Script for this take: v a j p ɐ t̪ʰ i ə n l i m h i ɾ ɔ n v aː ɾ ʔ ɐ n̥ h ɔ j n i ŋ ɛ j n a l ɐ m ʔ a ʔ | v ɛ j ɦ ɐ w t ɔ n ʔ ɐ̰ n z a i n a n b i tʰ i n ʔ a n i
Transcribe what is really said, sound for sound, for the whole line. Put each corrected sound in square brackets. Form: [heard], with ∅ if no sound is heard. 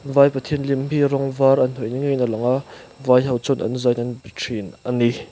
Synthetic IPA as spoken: v a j p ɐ t̪ʰ i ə n l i m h i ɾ ɔ [ŋ] v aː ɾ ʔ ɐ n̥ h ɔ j n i ŋ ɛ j n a l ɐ [ŋ] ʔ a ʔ | v [a] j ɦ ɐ w [t͡s] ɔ n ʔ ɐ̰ n z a [j] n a n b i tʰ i n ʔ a n i